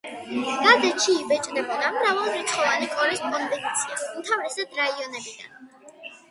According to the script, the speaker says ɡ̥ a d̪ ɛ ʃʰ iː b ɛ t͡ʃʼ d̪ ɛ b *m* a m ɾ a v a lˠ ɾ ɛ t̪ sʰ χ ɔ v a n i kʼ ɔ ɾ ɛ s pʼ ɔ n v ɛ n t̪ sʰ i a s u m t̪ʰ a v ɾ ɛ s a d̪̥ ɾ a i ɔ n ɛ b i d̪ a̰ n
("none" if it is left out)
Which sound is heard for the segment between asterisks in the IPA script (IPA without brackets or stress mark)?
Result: n